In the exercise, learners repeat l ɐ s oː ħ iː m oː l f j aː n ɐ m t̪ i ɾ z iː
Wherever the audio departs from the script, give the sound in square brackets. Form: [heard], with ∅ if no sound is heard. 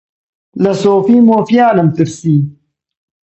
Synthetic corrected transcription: l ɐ s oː [f] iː m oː [∅] f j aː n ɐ m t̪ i ɾ [s] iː